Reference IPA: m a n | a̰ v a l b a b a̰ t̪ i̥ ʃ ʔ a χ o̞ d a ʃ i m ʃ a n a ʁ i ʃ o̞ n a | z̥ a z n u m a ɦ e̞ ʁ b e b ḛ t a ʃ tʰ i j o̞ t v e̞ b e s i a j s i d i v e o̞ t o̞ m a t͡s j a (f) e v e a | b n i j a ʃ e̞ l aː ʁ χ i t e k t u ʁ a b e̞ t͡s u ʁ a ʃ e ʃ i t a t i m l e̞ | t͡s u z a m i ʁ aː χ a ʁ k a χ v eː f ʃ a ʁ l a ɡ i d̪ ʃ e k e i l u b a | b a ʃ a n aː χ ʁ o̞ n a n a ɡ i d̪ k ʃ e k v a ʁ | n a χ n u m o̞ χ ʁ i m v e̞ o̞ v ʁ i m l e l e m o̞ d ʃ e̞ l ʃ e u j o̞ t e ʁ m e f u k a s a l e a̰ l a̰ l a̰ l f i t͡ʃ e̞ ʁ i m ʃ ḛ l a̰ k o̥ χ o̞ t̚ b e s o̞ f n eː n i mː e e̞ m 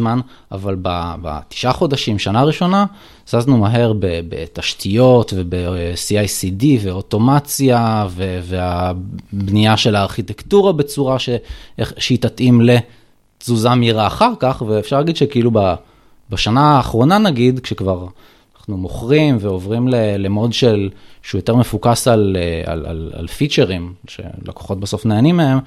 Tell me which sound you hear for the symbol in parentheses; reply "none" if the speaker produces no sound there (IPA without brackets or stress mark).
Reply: v